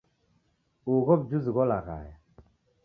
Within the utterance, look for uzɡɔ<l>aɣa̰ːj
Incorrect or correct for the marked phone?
correct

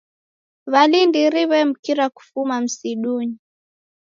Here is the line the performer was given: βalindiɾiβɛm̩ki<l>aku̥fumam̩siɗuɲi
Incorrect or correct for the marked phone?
incorrect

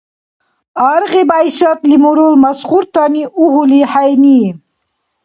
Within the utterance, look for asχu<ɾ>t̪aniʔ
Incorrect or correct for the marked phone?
correct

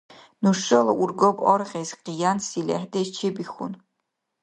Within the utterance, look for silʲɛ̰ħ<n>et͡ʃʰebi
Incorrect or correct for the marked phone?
incorrect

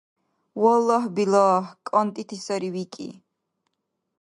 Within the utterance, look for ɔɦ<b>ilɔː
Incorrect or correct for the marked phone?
correct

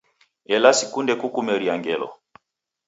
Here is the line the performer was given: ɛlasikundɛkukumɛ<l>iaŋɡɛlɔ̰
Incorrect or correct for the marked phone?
incorrect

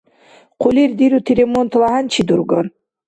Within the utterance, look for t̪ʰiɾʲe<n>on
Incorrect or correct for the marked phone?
incorrect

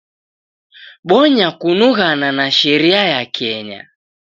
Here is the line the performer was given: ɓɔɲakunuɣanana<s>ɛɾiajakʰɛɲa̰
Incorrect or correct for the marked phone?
incorrect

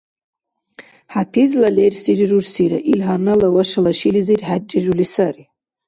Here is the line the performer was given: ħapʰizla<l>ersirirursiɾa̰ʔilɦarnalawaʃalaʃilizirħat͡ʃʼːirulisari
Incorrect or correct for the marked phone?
correct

